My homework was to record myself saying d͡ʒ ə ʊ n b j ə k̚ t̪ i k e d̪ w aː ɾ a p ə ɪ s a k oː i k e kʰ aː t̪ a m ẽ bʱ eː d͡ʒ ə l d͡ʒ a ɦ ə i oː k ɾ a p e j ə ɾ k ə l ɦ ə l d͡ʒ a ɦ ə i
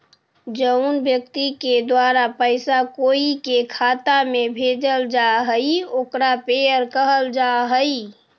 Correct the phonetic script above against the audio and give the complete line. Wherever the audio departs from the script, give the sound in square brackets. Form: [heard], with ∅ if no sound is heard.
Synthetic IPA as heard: d͡ʒ ə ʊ n b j ə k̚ t̪ i k e d̪ w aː ɾ a p ə ɪ s a k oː i k e kʰ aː t̪ a m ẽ bʱ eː d͡ʒ ə l d͡ʒ a ɦ ə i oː k ɾ a p e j ə ɾ k ə [∅] ɦ ə l d͡ʒ a ɦ ə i